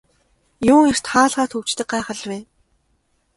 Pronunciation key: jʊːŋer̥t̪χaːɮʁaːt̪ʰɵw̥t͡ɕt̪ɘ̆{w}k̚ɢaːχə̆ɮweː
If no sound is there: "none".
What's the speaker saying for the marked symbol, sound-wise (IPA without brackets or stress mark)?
none